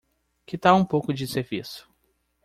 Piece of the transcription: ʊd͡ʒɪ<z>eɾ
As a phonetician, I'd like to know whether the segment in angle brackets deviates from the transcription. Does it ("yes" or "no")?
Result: yes